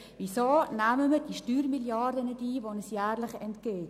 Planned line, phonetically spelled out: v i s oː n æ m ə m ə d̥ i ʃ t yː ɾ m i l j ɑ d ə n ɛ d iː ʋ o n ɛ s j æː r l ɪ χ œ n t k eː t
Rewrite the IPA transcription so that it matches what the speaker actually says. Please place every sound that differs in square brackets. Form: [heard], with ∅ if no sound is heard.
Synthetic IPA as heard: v i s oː n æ m ə m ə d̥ i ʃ t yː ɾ m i l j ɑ d ə n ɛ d iː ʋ o n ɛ s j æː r l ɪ χ [ɛ] n t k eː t